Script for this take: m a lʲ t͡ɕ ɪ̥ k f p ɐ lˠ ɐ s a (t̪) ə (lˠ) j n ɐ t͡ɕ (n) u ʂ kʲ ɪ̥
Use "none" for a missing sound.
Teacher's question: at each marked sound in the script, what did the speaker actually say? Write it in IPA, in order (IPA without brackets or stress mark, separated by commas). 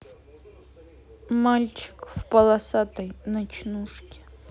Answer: t̪, none, n